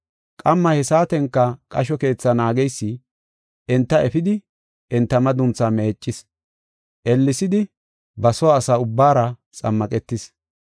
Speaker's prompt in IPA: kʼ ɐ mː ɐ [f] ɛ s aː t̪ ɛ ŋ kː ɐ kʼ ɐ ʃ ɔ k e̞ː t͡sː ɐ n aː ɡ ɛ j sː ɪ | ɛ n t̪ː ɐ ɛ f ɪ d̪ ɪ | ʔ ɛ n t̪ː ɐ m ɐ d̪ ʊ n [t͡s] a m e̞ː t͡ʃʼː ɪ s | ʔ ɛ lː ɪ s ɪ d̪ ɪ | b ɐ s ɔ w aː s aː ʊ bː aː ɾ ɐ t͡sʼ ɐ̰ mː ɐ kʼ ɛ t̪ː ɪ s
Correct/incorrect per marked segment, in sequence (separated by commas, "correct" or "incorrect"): incorrect, correct